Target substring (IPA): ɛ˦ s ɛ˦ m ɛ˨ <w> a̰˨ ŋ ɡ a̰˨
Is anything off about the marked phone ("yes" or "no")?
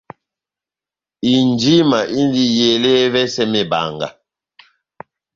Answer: yes